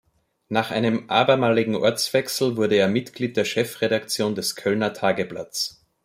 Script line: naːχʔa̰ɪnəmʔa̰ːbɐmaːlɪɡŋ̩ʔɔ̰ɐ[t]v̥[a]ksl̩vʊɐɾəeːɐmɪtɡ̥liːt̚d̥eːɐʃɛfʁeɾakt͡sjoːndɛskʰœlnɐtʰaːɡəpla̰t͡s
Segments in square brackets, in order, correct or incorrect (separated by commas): incorrect, incorrect